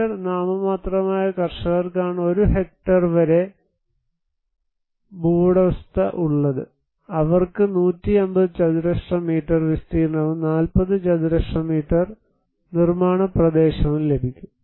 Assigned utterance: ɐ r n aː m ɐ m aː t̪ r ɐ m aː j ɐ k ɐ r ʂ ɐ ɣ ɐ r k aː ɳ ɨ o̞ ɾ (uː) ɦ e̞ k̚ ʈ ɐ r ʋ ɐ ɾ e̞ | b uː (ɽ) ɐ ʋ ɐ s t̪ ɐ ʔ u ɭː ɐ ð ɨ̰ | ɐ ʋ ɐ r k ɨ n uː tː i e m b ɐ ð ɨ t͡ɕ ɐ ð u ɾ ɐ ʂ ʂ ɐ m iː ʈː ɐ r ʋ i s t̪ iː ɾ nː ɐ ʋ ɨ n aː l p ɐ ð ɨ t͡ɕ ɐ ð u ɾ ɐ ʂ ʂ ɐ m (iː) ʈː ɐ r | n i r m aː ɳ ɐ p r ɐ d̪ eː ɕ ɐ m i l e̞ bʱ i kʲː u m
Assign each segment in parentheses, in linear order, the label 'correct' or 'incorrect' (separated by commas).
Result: incorrect, correct, correct